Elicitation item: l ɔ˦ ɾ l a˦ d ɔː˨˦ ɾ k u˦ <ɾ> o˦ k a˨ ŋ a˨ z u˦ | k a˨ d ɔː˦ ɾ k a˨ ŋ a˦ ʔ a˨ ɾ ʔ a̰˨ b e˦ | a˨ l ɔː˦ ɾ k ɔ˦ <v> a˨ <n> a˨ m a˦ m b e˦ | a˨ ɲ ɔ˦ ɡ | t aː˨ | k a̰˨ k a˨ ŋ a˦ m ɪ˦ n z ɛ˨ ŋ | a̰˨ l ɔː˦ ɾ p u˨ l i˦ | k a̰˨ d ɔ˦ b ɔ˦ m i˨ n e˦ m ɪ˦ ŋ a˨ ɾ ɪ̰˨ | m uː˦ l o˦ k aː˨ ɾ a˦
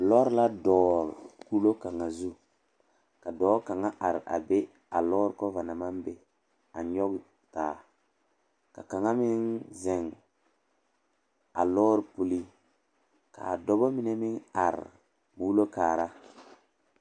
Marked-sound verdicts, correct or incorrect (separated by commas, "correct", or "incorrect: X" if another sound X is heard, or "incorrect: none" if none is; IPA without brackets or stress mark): incorrect: l, correct, correct